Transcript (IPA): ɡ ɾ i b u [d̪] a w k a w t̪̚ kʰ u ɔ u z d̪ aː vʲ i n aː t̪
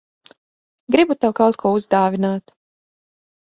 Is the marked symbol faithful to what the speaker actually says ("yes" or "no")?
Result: no